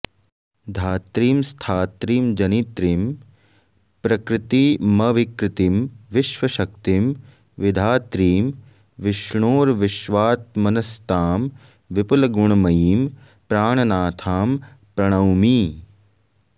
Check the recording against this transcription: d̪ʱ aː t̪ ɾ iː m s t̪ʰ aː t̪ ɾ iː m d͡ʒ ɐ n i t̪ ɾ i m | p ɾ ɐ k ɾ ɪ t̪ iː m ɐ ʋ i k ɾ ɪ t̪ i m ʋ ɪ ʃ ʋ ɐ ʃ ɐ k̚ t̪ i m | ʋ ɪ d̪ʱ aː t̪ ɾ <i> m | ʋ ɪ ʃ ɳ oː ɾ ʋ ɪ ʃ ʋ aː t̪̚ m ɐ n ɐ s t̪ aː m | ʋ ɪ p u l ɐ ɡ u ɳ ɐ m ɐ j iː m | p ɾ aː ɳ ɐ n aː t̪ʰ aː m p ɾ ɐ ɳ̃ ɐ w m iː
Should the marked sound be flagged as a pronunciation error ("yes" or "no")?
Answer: yes